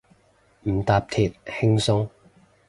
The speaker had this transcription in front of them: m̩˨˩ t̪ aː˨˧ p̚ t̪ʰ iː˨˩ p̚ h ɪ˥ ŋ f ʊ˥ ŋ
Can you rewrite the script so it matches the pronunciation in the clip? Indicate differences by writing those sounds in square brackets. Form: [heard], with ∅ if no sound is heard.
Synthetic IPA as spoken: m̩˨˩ t̪ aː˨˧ p̚ t̪ʰ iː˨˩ [t̚] h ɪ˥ ŋ [s] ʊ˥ ŋ